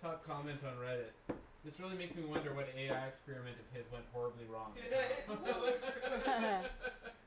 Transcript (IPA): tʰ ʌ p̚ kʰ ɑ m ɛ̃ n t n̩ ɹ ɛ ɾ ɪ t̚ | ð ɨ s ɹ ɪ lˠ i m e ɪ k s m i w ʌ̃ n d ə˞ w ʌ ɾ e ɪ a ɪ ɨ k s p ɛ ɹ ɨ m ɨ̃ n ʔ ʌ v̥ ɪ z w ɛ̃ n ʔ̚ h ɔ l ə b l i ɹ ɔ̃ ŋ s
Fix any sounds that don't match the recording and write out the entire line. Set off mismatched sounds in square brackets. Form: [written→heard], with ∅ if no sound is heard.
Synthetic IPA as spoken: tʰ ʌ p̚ kʰ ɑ m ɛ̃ n t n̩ ɹ ɛ ɾ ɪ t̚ | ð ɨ s ɹ ɪ lˠ i m e ɪ k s m i w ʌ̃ n d ə˞ w ʌ ɾ e ɪ a ɪ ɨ k s p ɛ ɹ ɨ m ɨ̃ n [ʔ→t] ʌ v̥ ɪ z w ɛ̃ n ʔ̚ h ɔ [l→ɹ] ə b l i ɹ ɔ̃ ŋ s